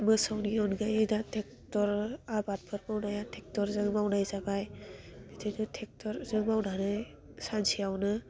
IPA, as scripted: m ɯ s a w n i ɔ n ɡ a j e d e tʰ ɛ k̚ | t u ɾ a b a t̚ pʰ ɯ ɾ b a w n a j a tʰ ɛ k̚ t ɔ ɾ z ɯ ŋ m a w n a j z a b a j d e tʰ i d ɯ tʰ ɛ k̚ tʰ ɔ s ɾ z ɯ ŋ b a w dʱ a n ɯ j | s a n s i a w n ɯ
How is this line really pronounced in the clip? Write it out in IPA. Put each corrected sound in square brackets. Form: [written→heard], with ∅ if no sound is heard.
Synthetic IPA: m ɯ s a w n i ɔ n ɡ a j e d [e→a] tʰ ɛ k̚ | t [u→ɔ] ɾ a b a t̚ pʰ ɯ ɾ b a w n a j a tʰ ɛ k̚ t ɔ ɾ z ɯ ŋ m a w n a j z a b a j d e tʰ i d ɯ tʰ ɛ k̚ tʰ ɔ [s→∅] ɾ z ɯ ŋ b a w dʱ a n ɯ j | s a n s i a w n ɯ